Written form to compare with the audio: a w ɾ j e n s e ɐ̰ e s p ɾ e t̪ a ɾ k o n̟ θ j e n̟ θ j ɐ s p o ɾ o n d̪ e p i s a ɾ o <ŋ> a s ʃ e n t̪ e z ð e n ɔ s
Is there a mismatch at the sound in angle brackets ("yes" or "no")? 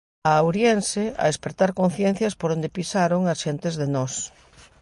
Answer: no